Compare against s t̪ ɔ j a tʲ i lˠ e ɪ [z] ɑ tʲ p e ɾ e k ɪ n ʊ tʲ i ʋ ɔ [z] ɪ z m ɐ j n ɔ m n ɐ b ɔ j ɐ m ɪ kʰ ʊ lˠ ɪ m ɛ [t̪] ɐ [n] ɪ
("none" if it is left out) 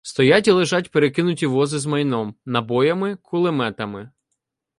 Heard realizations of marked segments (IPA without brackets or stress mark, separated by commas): ʒ, z, t̪, m